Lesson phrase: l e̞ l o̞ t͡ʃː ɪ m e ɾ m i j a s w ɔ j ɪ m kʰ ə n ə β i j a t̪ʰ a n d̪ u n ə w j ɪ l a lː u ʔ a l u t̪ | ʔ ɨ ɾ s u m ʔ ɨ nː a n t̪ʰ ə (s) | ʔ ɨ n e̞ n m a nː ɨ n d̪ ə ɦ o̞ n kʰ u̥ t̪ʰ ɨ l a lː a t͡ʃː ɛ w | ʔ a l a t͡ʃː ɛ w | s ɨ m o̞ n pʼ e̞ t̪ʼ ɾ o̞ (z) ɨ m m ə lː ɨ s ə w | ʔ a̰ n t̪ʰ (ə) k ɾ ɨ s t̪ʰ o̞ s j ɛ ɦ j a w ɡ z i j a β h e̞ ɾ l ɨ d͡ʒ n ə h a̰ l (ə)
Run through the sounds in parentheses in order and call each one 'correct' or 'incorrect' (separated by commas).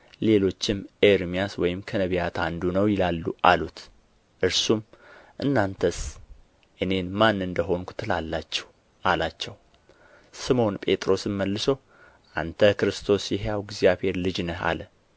correct, incorrect, correct, correct